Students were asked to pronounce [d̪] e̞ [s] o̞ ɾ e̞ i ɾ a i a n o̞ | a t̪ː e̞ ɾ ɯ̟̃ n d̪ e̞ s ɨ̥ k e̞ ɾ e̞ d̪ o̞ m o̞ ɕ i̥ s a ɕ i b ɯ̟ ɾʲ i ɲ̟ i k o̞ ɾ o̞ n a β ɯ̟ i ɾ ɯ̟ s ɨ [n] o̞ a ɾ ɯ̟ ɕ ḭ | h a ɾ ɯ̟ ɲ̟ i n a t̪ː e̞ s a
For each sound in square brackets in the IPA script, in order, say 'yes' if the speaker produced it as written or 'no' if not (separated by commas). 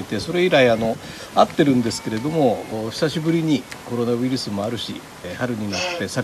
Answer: no, yes, no